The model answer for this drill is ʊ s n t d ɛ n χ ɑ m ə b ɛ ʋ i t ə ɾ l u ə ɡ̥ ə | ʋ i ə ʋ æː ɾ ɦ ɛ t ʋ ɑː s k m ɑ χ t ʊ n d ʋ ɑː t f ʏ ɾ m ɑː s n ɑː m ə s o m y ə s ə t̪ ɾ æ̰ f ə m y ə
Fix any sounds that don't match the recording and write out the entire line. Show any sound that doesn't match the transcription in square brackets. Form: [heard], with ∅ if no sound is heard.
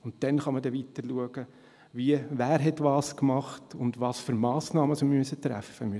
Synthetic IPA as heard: ʊ [∅] n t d ɛ n χ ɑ m ə [d] ɛ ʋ i t ə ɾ l u ə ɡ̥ ə | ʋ i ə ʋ æː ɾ ɦ ɛ t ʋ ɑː s k m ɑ χ t ʊ n d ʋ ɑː [s] f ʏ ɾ m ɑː s n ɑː m ə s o m y ə s ə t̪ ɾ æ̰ f ə m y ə